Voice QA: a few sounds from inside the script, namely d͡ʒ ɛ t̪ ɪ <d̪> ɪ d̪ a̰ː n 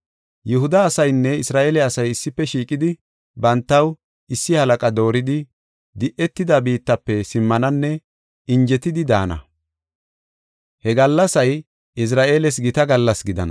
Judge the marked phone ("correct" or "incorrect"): correct